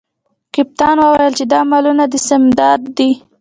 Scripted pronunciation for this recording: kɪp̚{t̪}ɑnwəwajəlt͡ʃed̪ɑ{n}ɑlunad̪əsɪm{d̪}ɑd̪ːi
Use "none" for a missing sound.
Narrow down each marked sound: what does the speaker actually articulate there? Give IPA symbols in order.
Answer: t̪, m, d̪

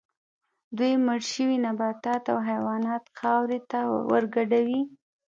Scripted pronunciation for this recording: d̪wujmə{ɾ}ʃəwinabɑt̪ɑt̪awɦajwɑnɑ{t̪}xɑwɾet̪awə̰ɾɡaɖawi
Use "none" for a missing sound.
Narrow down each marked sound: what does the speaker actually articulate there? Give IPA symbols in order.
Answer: ɽ, t̪

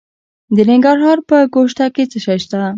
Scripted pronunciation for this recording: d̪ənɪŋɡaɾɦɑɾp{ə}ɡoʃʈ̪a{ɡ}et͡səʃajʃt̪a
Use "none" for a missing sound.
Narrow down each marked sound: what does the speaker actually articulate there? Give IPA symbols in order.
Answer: ə, k

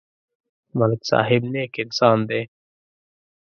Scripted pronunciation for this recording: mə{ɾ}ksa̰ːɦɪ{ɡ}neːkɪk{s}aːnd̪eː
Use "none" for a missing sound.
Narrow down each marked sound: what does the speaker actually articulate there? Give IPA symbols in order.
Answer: l, b, s

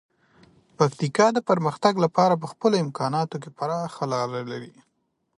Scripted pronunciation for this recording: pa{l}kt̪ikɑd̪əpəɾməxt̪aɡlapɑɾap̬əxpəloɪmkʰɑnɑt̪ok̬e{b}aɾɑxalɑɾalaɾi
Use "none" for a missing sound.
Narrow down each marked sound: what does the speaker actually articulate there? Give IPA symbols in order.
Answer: none, p

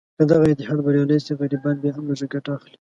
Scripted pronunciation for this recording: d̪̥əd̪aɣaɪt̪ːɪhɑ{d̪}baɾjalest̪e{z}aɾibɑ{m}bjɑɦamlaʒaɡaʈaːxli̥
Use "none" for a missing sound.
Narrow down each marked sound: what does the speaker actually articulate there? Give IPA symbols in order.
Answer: d̪, ɣ, n

